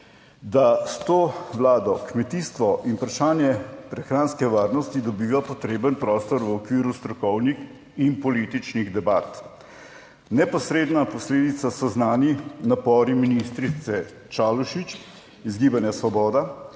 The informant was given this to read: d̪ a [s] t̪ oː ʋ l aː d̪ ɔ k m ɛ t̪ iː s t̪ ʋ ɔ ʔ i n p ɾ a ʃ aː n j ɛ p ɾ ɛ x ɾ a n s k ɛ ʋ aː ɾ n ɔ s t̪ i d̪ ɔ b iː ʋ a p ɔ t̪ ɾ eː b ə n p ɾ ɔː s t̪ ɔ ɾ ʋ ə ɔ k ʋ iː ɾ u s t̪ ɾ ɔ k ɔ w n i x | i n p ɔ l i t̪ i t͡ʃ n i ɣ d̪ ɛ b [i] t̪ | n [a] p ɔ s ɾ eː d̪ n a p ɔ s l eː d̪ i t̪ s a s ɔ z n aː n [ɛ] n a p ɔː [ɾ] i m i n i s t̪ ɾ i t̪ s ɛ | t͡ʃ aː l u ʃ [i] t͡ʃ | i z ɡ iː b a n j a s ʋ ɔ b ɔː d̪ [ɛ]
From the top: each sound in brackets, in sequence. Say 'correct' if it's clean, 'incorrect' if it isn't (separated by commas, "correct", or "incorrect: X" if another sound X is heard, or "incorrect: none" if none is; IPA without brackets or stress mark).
correct, incorrect: a, incorrect: ɛ, incorrect: i, correct, correct, incorrect: a